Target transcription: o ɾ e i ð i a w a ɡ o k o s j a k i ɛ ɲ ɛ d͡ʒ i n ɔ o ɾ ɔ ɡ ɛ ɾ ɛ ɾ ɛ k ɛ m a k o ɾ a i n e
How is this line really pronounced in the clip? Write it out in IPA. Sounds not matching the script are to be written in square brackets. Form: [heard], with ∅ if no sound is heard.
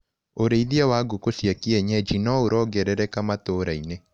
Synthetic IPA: o ɾ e i ð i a w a ɡ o k o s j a k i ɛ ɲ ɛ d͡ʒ i n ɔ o ɾ ɔ ɡ ɛ ɾ ɛ ɾ ɛ k [a] m a [t] o ɾ a i n e